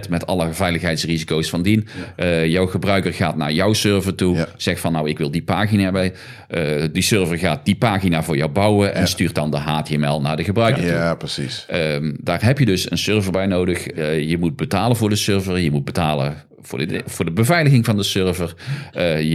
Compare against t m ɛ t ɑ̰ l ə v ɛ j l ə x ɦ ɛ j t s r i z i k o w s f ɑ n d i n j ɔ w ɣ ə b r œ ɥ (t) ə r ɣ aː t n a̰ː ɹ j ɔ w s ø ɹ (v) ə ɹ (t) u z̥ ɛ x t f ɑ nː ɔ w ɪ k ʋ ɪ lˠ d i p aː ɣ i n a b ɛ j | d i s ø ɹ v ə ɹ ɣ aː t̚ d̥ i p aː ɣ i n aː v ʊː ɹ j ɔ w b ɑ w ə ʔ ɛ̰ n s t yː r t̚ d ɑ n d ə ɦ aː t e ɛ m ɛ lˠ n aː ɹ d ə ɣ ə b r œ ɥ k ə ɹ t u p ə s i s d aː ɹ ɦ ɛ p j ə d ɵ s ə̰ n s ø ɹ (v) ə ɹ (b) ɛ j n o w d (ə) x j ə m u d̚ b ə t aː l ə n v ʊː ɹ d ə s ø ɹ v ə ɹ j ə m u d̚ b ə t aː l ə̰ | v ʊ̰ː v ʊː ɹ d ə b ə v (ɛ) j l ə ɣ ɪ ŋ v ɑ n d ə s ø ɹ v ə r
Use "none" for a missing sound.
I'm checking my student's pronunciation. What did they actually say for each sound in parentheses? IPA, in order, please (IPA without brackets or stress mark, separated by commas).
k, v, t, v, b, ə, ɛ